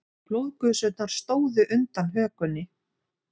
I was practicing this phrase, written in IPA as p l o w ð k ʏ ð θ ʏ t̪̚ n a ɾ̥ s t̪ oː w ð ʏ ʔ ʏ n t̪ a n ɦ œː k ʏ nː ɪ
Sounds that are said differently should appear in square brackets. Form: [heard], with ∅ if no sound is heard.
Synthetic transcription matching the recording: p l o w ð k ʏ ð [s] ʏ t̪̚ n a ɾ̥ s t̪ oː w ð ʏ ʔ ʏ n t̪ a n ɦ œː k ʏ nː ɪ